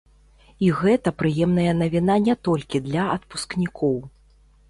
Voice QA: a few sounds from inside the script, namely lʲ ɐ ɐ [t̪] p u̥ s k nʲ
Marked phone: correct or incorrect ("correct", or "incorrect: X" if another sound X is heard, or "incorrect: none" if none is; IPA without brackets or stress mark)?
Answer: correct